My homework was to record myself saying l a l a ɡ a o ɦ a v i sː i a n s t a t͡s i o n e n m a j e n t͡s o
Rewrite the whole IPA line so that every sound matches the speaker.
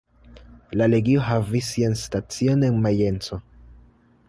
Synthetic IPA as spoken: l a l e ɡ i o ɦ a v i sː i a n s t a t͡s i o n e n m a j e n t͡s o